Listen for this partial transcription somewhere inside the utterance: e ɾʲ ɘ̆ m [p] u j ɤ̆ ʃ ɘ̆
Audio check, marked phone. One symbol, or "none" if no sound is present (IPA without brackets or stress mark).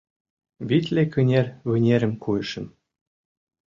k